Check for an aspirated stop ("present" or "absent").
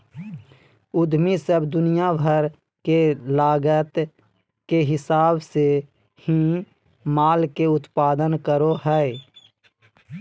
absent